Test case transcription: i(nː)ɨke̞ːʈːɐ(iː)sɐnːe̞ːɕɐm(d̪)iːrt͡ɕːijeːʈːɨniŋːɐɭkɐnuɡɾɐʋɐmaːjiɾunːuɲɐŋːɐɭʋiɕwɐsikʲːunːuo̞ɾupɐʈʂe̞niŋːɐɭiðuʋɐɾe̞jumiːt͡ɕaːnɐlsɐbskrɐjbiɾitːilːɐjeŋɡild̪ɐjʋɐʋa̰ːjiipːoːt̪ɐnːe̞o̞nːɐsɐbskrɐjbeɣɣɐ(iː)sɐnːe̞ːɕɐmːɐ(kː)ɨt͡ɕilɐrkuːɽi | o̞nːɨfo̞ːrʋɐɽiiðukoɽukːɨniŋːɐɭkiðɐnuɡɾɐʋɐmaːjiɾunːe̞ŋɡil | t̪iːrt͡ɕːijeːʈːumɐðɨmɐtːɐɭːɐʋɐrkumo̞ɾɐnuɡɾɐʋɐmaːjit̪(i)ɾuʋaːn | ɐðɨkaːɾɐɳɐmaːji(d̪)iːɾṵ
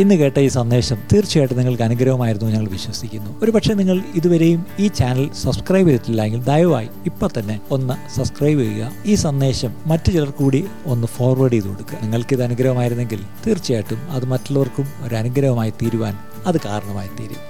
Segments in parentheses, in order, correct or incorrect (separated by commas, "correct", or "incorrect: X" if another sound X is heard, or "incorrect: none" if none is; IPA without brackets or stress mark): correct, correct, incorrect: t̪, correct, incorrect: tː, incorrect: iː, incorrect: t̪